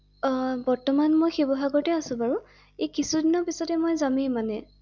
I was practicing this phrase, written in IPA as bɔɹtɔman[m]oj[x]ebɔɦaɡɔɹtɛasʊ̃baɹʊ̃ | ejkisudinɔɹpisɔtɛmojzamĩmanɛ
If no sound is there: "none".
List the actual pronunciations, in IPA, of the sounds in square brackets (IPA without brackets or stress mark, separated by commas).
m, x